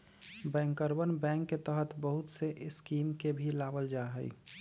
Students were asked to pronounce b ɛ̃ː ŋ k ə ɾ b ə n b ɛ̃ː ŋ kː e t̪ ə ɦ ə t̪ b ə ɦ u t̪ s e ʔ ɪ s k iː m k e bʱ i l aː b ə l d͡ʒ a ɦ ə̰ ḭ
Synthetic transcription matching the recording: b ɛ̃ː ŋ k ə ɾ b ə n b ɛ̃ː ŋ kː e t̪ ə ɦ ə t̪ b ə ɦ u t̪ s e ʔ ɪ s k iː m k e bʱ i l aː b ə l d͡ʒ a ɦ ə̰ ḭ